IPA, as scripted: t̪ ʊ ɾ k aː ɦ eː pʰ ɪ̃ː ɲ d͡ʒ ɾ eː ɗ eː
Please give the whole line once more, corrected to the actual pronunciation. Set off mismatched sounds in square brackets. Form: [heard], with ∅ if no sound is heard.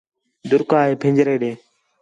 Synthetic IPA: [d̪] ʊ ɾ k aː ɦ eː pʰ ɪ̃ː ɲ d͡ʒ ɾ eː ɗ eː